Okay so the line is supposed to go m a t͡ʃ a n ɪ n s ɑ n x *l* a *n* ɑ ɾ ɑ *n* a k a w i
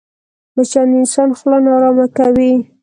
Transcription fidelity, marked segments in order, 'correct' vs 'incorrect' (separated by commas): correct, correct, incorrect